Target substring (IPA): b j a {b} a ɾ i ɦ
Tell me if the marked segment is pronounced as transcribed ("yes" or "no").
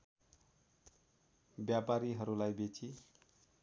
no